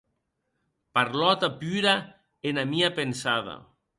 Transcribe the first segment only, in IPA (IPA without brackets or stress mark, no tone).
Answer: p